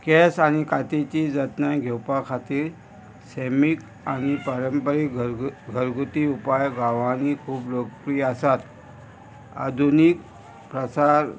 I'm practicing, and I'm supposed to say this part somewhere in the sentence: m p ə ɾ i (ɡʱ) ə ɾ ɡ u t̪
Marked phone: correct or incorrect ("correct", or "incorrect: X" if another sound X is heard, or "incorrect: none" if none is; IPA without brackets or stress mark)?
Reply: correct